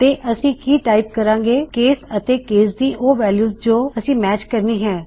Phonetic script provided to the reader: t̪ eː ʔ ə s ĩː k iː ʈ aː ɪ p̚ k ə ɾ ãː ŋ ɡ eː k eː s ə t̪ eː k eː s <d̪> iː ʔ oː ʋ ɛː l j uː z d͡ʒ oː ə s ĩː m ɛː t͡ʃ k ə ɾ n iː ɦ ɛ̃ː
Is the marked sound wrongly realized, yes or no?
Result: no